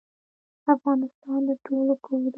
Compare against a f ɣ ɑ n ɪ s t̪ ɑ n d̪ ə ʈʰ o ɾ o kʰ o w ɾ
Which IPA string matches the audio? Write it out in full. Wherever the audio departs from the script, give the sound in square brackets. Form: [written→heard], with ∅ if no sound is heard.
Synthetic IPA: a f ɣ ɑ n ɪ s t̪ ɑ n d̪ ə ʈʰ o [ɾ→l] o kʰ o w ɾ